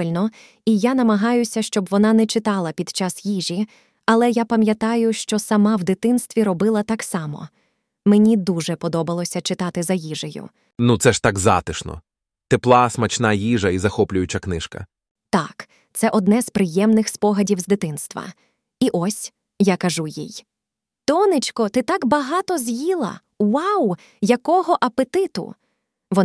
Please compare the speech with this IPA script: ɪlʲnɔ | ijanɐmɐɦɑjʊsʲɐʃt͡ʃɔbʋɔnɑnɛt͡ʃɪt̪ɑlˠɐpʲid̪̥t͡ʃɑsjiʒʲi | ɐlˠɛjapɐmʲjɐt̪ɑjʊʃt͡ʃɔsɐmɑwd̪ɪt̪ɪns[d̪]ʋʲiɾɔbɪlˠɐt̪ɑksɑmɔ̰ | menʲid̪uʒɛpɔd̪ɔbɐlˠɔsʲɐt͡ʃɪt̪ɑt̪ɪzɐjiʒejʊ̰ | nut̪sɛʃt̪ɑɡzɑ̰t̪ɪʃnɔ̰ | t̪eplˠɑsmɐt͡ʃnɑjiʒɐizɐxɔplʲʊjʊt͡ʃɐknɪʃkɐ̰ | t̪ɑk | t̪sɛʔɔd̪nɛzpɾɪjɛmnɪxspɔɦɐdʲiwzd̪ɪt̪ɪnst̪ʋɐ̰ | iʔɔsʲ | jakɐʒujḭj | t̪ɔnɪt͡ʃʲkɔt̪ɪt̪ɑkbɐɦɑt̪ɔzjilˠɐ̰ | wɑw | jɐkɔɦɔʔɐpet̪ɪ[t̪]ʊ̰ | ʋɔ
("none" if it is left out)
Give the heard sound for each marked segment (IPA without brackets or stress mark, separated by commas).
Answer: t̪, t̪